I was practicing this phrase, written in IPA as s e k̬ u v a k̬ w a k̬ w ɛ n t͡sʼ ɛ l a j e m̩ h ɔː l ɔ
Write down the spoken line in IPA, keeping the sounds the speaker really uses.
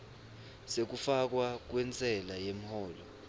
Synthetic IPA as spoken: s e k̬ u f a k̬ w a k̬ w ɛ n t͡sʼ ɛ l a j e m̩ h ɔː l ɔ

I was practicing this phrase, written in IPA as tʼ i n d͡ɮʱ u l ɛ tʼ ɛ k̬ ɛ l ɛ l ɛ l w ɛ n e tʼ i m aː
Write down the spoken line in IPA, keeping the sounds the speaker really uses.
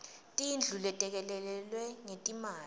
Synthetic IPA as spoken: tʼ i n d͡ɮʱ u l ɛ tʼ ɛ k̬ ɛ l ɛ l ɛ l w ɛ ŋ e tʼ i m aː

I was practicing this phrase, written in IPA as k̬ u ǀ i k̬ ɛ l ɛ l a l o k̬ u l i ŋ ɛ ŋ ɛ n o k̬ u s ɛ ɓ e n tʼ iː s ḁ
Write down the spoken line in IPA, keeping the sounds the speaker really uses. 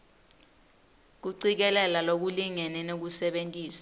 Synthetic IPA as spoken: k̬ u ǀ i k̬ ɛ l ɛ l a l o k̬ u l i ŋ ɛ n ɛ n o k̬ u s ɛ ɓ e n tʼ iː s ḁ

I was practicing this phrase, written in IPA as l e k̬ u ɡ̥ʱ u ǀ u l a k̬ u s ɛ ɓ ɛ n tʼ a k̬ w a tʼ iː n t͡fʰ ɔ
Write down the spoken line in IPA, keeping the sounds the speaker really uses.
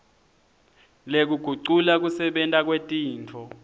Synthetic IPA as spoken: l e k̬ u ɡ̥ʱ u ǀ u l a k̬ u s ɛ ɓ ɛ n tʼ a k̬ w e tʼ iː n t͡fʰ ɔ

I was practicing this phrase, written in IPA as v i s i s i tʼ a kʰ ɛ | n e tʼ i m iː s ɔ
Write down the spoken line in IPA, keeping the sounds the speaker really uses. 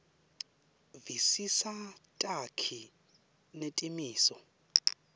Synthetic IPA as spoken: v i s i s a tʼ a kʰ i | n e tʼ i m iː s ɔ

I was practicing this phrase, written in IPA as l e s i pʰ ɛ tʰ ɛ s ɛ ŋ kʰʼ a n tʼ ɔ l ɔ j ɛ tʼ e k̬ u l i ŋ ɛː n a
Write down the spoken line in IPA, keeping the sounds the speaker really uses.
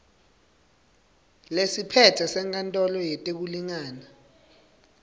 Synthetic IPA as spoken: l e s i pʰ ɛ tʰ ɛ s ɛ ŋ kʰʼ a n tʼ ɔ l ɔ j ɛ tʼ e k̬ u l i ŋ aː n a

